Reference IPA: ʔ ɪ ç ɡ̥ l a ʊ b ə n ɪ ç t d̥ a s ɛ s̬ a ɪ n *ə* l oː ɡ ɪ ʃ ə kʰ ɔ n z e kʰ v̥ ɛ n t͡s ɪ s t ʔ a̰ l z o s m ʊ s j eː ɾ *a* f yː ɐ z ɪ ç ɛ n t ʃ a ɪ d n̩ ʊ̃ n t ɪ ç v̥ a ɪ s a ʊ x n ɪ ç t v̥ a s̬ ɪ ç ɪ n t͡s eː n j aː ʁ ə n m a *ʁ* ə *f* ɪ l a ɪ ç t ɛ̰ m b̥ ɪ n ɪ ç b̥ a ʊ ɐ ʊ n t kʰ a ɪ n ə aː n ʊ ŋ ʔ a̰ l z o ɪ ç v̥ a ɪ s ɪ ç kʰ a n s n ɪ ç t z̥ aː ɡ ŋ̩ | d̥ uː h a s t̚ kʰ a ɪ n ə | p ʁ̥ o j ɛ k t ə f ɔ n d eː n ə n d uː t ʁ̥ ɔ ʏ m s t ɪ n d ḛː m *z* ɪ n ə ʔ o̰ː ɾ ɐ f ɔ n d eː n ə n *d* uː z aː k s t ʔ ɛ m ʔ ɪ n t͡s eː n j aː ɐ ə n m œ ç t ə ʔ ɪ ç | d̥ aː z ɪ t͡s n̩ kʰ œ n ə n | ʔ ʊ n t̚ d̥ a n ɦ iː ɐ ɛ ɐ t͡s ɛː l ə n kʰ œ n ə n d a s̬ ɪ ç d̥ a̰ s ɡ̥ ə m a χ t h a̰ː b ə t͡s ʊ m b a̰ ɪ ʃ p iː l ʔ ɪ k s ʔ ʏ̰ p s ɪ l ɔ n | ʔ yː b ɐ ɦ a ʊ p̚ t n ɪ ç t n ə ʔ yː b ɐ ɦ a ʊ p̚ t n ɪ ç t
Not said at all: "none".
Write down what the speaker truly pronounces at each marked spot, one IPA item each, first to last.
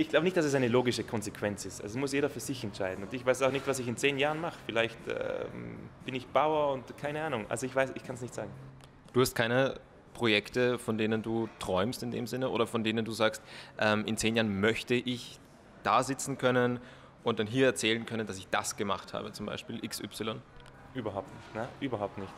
ə, ɐ, χ, f, z, d

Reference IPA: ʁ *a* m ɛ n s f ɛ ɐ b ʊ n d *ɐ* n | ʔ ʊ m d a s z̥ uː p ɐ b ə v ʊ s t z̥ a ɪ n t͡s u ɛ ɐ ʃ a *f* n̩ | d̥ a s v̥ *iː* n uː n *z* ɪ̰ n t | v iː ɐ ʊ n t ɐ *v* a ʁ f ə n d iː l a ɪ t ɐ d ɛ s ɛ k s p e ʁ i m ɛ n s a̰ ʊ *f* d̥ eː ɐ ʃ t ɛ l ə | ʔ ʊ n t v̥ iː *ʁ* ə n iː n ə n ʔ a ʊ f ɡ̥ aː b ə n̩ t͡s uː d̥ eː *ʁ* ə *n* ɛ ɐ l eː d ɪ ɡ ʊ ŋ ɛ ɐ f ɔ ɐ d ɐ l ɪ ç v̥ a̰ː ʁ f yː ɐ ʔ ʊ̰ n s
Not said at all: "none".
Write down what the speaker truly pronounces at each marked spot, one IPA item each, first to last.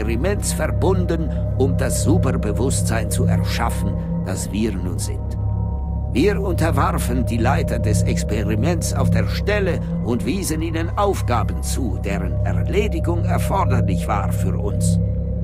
i, ə, f, iː, z, v, f, z, ʁ, n

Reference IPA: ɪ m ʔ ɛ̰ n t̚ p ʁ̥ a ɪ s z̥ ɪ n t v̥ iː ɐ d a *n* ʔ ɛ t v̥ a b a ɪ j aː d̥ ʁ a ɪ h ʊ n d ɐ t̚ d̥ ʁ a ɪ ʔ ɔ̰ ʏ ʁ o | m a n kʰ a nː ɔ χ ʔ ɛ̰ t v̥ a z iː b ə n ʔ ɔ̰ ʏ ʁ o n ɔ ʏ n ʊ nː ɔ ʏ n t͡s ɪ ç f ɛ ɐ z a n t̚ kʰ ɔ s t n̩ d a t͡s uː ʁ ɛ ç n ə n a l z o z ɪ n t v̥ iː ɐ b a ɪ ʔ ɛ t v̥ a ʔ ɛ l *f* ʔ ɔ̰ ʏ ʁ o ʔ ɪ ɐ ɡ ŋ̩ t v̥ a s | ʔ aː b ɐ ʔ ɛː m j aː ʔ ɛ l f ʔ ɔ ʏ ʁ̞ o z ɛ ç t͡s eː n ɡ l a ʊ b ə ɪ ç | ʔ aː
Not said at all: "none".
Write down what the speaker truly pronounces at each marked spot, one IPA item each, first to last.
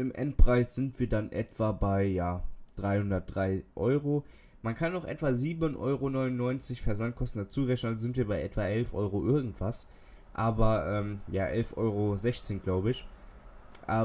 n, f

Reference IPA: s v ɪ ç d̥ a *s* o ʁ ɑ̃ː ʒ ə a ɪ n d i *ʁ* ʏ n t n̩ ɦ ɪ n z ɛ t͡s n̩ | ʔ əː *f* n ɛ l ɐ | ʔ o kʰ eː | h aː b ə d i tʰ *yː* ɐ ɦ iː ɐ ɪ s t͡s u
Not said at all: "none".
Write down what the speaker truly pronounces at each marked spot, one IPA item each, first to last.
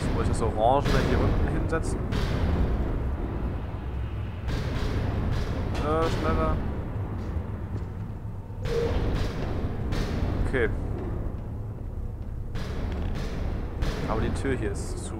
s, ʁ, ʃ, yː

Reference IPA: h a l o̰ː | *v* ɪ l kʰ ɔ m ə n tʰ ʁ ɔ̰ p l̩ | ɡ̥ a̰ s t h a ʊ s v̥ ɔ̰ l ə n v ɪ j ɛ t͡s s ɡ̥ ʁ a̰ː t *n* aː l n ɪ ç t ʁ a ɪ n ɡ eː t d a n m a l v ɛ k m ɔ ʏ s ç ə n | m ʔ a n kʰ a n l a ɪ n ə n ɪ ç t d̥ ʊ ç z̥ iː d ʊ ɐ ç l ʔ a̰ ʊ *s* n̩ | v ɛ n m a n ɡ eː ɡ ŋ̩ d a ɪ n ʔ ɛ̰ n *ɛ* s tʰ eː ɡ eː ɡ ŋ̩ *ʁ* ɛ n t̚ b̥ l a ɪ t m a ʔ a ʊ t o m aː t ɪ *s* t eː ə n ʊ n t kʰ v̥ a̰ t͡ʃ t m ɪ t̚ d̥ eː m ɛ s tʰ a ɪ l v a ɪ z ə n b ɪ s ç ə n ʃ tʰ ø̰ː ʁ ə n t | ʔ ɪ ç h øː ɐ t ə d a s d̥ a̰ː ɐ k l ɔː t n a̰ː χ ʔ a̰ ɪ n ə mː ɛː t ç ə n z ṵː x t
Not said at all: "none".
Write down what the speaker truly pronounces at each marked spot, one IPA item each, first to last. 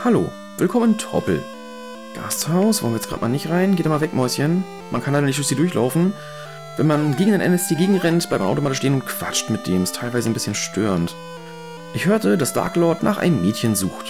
v, m, f, ɛ, ʁ, ʃ

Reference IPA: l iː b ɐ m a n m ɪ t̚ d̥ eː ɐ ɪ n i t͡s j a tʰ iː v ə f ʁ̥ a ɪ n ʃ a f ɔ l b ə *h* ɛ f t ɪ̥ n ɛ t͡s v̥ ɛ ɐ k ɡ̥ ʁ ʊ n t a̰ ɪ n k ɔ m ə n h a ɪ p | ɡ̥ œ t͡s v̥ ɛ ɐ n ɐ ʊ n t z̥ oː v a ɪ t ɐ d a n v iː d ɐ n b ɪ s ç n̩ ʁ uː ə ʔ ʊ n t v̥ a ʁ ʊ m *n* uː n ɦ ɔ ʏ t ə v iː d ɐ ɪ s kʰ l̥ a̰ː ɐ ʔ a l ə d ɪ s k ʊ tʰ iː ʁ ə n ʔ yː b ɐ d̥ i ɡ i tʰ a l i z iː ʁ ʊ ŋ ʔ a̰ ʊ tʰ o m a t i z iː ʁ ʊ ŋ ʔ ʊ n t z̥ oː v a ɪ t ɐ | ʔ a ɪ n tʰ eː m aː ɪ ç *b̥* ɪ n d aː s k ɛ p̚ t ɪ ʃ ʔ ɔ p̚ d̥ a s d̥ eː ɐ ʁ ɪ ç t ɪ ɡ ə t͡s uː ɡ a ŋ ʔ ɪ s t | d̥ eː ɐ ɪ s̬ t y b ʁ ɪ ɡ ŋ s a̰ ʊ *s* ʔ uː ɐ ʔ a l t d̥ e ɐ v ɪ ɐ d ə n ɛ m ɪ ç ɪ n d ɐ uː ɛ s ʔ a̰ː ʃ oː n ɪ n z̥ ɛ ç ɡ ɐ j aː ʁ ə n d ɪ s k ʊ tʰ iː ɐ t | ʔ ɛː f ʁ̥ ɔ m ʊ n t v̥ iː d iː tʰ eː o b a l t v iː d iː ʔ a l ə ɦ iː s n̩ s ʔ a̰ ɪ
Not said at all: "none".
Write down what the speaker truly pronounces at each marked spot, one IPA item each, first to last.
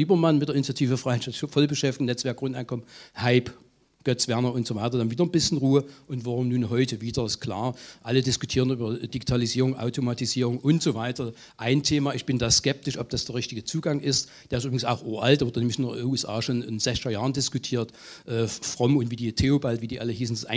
ʃ, n, b̥, x

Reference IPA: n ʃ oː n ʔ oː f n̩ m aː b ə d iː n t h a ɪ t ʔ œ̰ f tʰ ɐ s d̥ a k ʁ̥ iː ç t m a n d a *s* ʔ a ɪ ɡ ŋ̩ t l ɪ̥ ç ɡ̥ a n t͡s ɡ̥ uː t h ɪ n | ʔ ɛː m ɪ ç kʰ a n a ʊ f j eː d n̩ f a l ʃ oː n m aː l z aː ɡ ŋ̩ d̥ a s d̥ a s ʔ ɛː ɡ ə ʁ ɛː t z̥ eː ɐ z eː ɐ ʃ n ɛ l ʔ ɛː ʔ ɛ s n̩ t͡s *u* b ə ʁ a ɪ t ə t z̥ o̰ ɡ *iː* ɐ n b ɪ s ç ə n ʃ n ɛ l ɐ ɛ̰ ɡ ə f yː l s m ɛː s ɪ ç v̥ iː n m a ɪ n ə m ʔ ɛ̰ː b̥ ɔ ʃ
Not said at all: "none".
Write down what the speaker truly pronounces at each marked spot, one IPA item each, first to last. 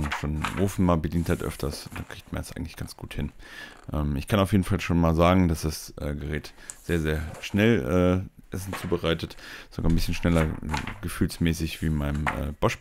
s, uː, aː

